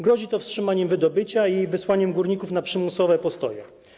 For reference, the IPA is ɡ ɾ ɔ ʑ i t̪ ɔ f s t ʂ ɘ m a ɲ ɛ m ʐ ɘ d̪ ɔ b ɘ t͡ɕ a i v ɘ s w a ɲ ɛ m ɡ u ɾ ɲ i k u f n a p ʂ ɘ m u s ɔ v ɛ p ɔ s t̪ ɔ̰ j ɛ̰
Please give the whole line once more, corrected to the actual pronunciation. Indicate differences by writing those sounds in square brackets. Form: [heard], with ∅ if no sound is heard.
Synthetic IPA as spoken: ɡ ɾ ɔ ʑ i t̪ ɔ f s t ʂ ɘ m a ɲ ɛ m [v] ɘ d̪ ɔ b ɘ t͡ɕ a i v ɘ s w a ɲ ɛ m ɡ u ɾ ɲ i k u f n a p ʂ ɘ m u s ɔ v ɛ p ɔ s t̪ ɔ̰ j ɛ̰